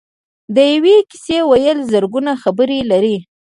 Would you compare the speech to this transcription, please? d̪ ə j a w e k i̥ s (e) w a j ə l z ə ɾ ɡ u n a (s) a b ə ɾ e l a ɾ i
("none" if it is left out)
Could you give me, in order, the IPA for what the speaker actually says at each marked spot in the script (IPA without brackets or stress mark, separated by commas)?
e, x